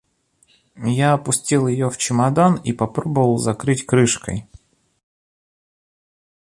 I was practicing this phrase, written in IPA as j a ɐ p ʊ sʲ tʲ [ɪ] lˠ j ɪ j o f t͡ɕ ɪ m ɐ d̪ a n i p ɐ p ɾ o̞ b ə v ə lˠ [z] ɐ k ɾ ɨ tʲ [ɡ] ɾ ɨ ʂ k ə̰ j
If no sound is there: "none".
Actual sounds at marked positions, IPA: i, z, k

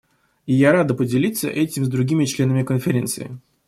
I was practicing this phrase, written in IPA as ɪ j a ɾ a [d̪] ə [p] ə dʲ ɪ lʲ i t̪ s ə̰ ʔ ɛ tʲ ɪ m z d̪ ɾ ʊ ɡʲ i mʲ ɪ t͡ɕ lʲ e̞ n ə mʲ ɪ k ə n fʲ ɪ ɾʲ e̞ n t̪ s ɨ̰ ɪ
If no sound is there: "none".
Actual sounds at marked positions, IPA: d̪, p

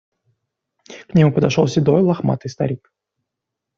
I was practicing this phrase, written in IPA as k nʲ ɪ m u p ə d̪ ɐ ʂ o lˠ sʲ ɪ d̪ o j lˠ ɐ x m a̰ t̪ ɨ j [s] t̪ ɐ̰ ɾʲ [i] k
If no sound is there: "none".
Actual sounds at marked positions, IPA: s, i

